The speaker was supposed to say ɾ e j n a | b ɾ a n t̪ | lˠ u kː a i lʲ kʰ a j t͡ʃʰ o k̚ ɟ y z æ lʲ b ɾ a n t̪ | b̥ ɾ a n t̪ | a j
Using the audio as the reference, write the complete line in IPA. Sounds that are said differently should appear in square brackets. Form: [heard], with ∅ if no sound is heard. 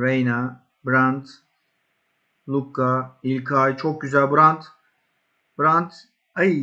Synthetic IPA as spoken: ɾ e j n a | b ɾ a n t̪ | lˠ u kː a i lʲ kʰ a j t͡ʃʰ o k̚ ɟ y z æ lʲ b ɾ a n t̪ | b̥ ɾ a n t̪ | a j

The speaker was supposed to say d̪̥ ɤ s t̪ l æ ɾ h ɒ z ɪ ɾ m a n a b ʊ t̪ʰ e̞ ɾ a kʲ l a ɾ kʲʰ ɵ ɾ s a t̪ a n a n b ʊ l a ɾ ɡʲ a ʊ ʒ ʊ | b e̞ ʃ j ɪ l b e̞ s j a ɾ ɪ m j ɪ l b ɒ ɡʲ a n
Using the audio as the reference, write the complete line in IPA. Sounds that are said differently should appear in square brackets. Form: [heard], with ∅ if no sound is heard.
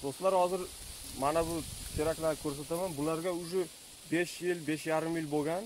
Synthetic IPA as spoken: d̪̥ [o] s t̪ l [a] ɾ h ɒ z ɪ ɾ m a n a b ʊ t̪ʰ e̞ ɾ a kʲ l a ɾ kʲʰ ɵ ɾ s a t̪ a [m] a n b ʊ l a ɾ ɡʲ a ʊ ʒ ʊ | b e̞ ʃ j ɪ l b e̞ [ʃ] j a ɾ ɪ m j ɪ l b [o] ɡʲ a n

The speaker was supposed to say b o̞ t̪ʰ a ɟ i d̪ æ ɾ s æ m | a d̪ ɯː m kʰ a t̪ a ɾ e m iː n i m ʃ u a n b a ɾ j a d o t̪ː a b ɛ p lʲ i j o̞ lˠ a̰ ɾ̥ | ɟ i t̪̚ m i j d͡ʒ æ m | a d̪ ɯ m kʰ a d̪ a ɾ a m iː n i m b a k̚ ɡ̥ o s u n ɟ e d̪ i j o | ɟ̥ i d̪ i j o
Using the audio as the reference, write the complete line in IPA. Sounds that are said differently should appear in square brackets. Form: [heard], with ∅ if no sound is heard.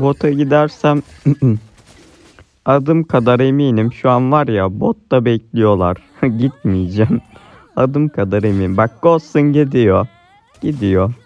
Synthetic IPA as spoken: b o̞ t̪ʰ a ɟ i d̪ æ ɾ s æ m | a d̪ [ɯ] m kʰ a [d̪] a ɾ e m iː n i m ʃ u a n [v] a ɾ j a [b] o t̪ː a b ɛ [c] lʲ i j o̞ lˠ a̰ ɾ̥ | ɟ i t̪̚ m i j d͡ʒ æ m | a d̪ ɯ m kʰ a d̪ a ɾ [e] m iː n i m b a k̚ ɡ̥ o s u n ɟ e d̪ i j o | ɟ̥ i d̪ i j o

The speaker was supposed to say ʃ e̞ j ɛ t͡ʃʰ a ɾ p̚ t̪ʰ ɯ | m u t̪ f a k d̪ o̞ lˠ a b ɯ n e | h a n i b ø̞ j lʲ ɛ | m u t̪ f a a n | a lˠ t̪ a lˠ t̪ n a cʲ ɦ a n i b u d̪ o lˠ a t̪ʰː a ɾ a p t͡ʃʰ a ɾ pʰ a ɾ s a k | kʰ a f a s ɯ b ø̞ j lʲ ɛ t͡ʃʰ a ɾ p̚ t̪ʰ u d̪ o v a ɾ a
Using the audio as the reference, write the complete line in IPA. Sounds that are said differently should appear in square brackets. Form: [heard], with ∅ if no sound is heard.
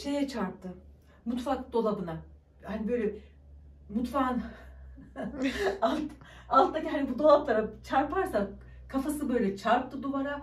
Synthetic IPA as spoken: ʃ e̞ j ɛ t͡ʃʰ a ɾ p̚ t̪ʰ ɯ | m u t̪ f a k d̪ o̞ lˠ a b ɯ n [a] | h a n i b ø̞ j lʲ ɛ | m u t̪ f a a n | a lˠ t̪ a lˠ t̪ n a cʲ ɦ a n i b u d̪ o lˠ a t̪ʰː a ɾ a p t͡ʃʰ a ɾ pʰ a ɾ s a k | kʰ a f a s ɯ b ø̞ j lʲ ɛ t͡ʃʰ a ɾ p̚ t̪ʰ [ɯ] d̪ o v a ɾ a

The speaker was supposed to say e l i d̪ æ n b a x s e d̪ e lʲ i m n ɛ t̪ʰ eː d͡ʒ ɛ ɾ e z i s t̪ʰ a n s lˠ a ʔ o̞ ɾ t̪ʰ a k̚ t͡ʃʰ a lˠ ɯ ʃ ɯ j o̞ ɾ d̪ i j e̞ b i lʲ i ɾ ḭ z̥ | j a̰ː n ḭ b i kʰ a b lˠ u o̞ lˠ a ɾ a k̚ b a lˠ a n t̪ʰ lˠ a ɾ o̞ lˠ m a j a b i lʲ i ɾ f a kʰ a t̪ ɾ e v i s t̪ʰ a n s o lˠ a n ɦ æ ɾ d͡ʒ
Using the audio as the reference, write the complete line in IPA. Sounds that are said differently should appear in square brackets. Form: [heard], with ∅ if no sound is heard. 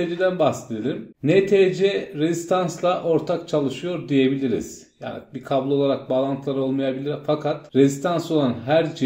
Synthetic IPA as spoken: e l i d̪ æ n b a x s e d̪ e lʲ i m n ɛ t̪ʰ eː d͡ʒ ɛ ɾ e z i s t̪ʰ a n s lˠ a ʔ o̞ ɾ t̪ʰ a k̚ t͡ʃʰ a lˠ ɯ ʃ ɯ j o̞ ɾ d̪ i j e̞ b i lʲ i ɾ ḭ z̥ | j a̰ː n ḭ b i kʰ a b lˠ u o̞ lˠ a ɾ a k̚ b a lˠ a n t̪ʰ lˠ a ɾ o̞ lˠ m a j a b i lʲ i ɾ f a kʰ a t̪ ɾ e [z] i s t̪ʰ a n s o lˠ a n ɦ æ ɾ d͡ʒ

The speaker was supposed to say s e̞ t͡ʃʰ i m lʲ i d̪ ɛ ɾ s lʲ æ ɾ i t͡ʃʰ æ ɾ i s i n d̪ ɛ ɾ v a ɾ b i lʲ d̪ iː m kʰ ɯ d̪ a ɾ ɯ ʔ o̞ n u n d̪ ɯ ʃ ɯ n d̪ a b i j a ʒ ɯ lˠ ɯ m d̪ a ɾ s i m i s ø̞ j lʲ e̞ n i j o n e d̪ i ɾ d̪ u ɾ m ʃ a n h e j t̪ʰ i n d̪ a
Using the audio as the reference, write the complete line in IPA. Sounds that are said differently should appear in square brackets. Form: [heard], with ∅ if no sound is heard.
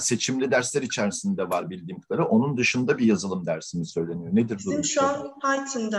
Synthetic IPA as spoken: s e̞ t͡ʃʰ i m lʲ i d̪ [æ] ɾ s lʲ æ ɾ i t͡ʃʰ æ ɾ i s i n d̪ ɛ [∅] v a ɾ b i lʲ d̪ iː m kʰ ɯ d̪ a ɾ ɯ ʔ o̞ n u n d̪ ɯ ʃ ɯ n d̪ a b i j a [z] ɯ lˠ ɯ m d̪ [æ] ɾ s i m i s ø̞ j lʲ e̞ n i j o n e d̪ i ɾ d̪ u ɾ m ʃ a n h [a] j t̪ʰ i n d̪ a

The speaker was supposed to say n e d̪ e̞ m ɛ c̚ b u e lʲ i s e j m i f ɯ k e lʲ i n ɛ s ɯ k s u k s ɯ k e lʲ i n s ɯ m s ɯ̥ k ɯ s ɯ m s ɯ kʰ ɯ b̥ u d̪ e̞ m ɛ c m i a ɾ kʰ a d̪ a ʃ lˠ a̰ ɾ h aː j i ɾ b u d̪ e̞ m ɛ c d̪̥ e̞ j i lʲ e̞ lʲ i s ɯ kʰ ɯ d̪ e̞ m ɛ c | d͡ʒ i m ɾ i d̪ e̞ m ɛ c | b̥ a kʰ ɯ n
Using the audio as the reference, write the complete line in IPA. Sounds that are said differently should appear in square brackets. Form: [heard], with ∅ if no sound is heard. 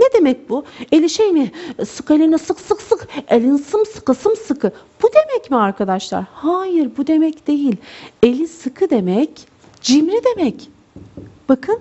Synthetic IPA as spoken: n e d̪ e̞ m ɛ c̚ b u e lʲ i [ʃ] e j m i [s] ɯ k e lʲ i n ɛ s ɯ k s [ɯ] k s ɯ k e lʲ i n s ɯ m s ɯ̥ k ɯ s ɯ m s ɯ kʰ ɯ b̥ u d̪ e̞ m ɛ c m i a ɾ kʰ a d̪ a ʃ lˠ a̰ ɾ h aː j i ɾ b u d̪ e̞ m ɛ c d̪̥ e̞ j i lʲ e̞ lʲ i s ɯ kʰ ɯ d̪ e̞ m ɛ c | d͡ʒ i m ɾ i d̪ e̞ m ɛ c | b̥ a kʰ ɯ n

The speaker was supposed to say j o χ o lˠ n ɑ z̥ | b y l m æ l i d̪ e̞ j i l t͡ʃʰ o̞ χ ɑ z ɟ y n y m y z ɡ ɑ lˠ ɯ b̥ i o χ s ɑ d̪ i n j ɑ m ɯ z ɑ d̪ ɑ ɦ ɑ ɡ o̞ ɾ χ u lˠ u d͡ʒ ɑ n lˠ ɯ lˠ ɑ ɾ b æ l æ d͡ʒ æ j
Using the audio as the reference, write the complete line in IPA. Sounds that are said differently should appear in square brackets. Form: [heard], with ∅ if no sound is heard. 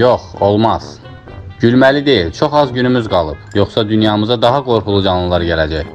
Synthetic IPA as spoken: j o χ o lˠ [m] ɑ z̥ | [ɟ] y l m æ l i d̪ e̞ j i l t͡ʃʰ o̞ χ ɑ z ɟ y n y m y z ɡ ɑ lˠ ɯ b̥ [j] o χ s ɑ d̪ [y] n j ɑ m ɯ z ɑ d̪ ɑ ɦ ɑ ɡ o̞ ɾ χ u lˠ u d͡ʒ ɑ n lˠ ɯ lˠ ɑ ɾ [ɟ] æ l æ d͡ʒ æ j

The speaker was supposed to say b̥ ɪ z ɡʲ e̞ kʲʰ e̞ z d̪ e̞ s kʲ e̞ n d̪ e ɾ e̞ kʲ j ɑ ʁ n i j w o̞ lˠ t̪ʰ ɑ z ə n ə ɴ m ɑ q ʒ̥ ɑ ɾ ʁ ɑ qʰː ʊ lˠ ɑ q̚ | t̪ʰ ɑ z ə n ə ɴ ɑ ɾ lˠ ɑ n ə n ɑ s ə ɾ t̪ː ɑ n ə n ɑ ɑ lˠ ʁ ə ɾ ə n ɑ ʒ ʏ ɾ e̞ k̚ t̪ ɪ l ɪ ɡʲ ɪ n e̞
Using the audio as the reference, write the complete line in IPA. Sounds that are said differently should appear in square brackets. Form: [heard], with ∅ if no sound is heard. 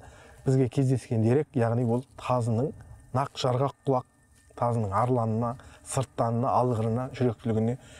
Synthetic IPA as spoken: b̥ ɪ z ɡʲ e̞ kʲʰ e̞ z d̪ e̞ s kʲ e̞ n d̪ e ɾ e̞ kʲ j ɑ ʁ n i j w o̞ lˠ t̪ʰ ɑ z ə n ə ɴ [n] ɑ q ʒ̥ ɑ ɾ ʁ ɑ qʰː ʊ lˠ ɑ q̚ | t̪ʰ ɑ z ə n ə ɴ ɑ ɾ lˠ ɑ n ə n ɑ s ə ɾ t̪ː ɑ n ə n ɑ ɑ lˠ ʁ ə ɾ ə n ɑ ʒ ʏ ɾ e̞ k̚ t̪ ɪ l ɪ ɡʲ ɪ n e̞

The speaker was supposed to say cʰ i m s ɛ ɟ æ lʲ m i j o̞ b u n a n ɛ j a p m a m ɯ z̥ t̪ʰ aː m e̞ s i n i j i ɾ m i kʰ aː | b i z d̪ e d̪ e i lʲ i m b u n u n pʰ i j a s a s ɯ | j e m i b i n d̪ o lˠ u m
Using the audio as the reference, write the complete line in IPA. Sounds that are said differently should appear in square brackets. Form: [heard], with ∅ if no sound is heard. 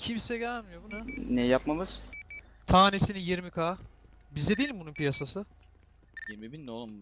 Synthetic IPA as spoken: cʰ i m s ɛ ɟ æ lʲ m i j o̞ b u n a n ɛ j a p m a m ɯ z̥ t̪ʰ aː [n] e̞ s i n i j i ɾ m i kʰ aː | b i z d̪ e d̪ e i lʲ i m b u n u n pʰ i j a s a s ɯ | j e m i b i n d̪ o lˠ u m

